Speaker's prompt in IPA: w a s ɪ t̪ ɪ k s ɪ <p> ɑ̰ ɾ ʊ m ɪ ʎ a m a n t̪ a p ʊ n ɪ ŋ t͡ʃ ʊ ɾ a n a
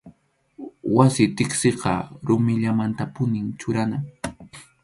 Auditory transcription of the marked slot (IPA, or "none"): q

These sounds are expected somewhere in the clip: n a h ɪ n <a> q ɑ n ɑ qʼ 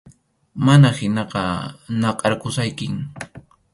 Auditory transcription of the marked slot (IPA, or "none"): ɑ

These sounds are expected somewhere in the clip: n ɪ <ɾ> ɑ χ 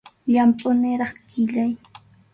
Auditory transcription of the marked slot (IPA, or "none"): ɾ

